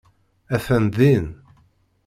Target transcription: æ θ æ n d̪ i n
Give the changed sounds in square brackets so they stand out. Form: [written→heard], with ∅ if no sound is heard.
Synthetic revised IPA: æ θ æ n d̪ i n